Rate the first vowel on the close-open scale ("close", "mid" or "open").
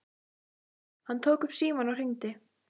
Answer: open